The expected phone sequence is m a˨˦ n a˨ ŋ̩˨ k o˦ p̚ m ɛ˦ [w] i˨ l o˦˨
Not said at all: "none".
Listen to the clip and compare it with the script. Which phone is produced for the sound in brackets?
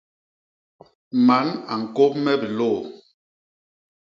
b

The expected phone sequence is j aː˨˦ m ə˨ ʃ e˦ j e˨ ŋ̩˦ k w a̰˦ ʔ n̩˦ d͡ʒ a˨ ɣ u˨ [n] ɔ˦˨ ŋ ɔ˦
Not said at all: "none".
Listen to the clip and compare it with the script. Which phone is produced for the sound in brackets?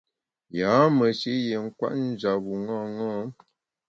ŋ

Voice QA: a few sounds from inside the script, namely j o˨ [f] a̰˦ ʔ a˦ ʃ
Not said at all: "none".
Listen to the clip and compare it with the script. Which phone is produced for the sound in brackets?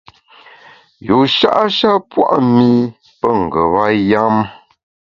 ʃ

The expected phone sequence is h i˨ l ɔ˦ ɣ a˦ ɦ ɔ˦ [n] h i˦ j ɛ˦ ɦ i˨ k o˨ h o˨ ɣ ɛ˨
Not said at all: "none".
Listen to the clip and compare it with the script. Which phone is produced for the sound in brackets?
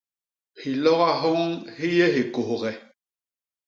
ŋ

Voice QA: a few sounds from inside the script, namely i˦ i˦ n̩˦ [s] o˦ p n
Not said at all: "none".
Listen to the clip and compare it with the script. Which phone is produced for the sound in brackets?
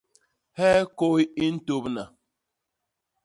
t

